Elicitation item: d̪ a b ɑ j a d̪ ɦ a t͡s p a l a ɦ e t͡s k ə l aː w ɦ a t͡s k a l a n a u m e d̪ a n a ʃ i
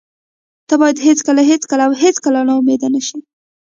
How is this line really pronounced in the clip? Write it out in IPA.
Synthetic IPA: t̪ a b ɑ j a d̪ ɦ e t͡s k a l a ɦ e t͡s k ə l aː w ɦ e t͡s k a l a n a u m e d̪ a n a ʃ i

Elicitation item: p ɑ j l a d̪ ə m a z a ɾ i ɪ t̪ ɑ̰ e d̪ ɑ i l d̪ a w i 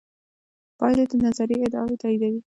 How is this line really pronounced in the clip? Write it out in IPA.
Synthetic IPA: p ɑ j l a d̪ ə n a z a ɾ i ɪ d̪ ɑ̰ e t̪ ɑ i d̪ a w i

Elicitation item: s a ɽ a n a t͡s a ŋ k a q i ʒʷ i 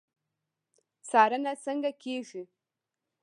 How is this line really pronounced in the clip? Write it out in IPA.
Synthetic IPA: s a ɾ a n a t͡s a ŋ ɡ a k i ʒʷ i

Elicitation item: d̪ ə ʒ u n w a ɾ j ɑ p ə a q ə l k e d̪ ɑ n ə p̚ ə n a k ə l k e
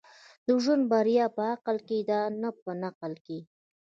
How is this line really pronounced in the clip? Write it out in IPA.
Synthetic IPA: d̪ ə ʒ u n b a ɾ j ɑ p ə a q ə l k e d̪ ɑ n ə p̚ ə n a q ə l k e

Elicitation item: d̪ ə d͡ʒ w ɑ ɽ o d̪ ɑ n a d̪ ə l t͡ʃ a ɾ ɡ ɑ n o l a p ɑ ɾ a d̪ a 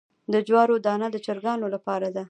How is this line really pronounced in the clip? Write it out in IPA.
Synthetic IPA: d̪ ə d͡ʒ w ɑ ɾ o d̪ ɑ n a d̪ ə t͡ʃ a ɾ ɡ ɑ n o l a p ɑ ɾ a d̪ a

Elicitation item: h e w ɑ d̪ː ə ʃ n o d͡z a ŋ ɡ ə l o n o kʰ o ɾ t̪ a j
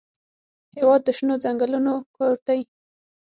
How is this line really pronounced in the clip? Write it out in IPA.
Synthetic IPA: h e w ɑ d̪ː ə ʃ n o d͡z a ŋ ɡ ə l u n o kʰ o ɾ t̪ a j

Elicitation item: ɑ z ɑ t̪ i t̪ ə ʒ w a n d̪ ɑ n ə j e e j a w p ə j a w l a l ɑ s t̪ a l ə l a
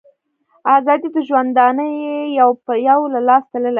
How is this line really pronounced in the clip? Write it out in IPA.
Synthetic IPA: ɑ z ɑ d̪ i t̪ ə ʒ w a n d̪ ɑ n ə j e e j a w p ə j a w l a l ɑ s t̪ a l ə l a

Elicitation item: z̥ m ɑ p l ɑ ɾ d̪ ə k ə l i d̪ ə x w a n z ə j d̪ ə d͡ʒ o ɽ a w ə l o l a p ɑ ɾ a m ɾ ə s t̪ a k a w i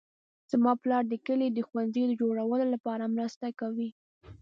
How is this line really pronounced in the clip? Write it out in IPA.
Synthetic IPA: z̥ m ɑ p l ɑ ɾ d̪ ə k ə l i d̪ ə x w a n z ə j d̪ ə d͡ʒ o ɽ a w ə l o l a p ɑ ɾ a m ɾ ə s t̪ a k a w i

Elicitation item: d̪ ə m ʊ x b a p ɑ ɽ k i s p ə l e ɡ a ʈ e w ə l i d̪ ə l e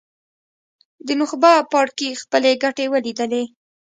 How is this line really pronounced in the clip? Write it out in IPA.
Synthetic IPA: d̪ ə n ʊ x b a p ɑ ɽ k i x p ə l e ɡ a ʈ e w ə l i d̪ ə l e

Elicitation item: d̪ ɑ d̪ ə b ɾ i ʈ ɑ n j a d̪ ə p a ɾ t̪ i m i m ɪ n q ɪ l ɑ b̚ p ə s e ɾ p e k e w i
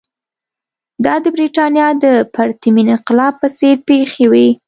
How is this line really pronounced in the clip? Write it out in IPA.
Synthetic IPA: d̪ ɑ d̪ ə b ɾ i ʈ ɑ n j ɑ d̪ ə p a ɾ t̪ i m i n ɪ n q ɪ l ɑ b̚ p ə s e ɾ p e x e w i

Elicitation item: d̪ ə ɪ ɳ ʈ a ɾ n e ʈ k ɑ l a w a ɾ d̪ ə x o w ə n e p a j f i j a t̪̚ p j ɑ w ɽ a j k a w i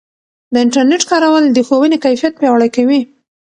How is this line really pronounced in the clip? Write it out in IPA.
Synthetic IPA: d̪ ə ɪ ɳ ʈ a ɾ n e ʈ k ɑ ɾ a w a l d̪ ə x o w ə n e k a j f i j a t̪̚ p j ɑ w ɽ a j k a w i

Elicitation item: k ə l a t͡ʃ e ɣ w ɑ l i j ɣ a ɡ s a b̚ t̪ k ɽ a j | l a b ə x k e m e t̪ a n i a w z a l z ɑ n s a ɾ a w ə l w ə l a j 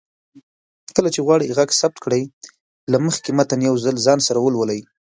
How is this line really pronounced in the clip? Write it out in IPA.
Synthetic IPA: k ə l a t͡ʃ e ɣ w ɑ ɽ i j ɣ a ɡ s a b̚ t̪ k ɽ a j | l a m ə x k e m a t̪ a n j a w z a l z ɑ n s a ɾ a w ə l w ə l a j

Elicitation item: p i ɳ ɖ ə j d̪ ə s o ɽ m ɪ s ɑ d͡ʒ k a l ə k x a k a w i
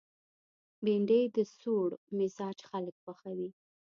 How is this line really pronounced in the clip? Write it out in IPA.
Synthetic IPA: b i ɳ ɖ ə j d̪ ə s o ɽ m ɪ z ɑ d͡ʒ x a l ə k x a x a w i

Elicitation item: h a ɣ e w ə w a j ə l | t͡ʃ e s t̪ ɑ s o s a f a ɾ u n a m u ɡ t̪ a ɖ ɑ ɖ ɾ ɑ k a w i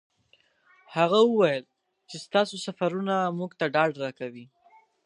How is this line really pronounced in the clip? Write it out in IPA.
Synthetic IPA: h a ɣ a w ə w a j ə l | t͡ʃ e s t̪ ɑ s o s a f a ɾ u n a m u ɡ t̪ a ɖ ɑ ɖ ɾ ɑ k a w i

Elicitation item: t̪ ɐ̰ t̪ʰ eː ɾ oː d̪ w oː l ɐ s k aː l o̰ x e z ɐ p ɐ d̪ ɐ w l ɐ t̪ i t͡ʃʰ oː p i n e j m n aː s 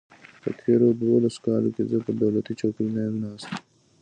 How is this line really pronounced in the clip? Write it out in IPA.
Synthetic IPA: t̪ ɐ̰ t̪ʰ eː ɾ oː d̪ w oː l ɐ s k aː l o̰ k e z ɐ p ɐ d̪ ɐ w l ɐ t̪ i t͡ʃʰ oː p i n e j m n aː s

